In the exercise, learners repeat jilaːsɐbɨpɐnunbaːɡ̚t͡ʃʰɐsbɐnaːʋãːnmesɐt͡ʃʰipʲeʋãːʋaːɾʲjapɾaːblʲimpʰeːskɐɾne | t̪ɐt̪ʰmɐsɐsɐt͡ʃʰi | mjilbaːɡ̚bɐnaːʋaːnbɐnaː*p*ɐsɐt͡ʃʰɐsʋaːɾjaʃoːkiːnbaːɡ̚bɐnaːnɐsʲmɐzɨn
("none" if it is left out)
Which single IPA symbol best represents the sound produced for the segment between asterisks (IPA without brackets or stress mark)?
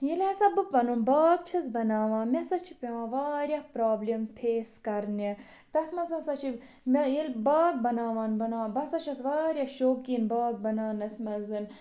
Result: b